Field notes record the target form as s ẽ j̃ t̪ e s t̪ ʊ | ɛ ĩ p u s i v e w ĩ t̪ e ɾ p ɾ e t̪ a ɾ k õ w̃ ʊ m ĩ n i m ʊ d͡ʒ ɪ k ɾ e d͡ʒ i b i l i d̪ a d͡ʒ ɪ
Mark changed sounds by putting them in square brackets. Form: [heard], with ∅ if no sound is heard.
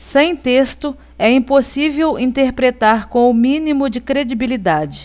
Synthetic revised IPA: s ẽ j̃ t̪ e s t̪ ʊ | ɛ ĩ p [o] s i v e w ĩ t̪ e ɾ p ɾ e t̪ a ɾ k õ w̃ ʊ m ĩ n i m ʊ d͡ʒ ɪ k ɾ e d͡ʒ i b i l i d̪ a d͡ʒ ɪ